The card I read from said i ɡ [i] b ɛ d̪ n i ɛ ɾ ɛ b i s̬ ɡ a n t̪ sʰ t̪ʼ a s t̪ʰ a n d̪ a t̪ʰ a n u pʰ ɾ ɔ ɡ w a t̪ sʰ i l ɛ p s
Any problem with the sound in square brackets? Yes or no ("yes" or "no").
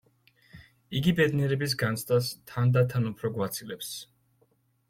no